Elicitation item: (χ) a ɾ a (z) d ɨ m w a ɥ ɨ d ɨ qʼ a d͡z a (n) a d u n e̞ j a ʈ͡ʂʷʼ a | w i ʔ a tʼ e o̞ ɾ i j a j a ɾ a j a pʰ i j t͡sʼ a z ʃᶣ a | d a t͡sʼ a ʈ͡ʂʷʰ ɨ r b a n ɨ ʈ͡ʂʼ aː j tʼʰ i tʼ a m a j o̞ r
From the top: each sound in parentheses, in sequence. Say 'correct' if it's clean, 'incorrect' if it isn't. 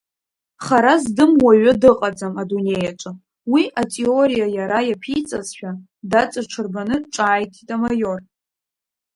correct, correct, incorrect

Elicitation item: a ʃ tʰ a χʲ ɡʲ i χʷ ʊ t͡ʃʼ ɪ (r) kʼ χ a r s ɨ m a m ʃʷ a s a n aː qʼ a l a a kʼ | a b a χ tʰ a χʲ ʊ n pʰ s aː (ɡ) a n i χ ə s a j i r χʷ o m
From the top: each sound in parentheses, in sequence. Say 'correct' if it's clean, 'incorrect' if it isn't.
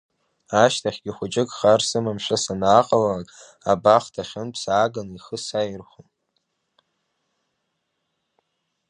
incorrect, correct

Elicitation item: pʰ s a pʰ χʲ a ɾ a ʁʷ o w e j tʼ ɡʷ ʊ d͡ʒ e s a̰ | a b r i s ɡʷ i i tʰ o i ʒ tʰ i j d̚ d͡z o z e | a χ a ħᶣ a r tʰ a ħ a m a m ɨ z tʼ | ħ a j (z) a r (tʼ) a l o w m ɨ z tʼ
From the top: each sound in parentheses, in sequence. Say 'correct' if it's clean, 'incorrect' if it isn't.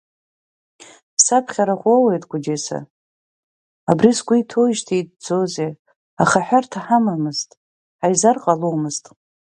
correct, incorrect

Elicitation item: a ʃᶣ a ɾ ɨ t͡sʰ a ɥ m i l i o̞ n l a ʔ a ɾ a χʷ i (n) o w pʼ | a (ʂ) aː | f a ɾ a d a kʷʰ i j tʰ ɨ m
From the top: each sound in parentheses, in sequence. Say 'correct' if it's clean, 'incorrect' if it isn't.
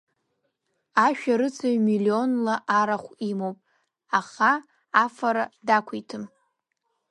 incorrect, incorrect

